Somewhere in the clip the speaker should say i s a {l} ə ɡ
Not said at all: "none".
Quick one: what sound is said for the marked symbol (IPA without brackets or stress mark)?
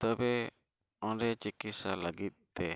l